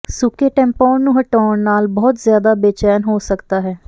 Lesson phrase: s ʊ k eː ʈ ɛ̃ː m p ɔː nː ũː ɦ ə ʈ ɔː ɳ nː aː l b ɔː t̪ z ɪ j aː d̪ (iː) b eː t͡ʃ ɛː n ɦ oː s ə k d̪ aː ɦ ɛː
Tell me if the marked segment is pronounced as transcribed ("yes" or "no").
no